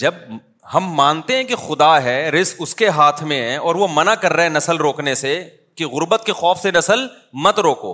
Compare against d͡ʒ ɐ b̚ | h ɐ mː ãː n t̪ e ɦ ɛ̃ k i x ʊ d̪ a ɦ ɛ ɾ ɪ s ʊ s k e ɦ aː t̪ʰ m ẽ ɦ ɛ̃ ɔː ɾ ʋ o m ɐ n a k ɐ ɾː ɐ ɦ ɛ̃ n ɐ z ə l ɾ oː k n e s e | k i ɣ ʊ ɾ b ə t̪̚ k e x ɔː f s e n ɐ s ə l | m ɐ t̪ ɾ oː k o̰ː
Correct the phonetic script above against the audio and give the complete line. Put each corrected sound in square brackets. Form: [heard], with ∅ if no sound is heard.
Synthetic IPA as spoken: d͡ʒ ɐ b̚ | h ɐ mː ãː n t̪ e ɦ ɛ̃ k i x ʊ d̪ a ɦ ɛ ɾ ɪ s ʊ s k e ɦ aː t̪ʰ m ẽ ɦ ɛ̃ ɔː ɾ ʋ o m ɐ n a k ɐ ɾː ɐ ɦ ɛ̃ n ɐ [s] ə l ɾ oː k n e s e | k i ɣ ʊ ɾ b ə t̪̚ k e x ɔː f s e n ɐ s ə l | m ɐ t̪ ɾ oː k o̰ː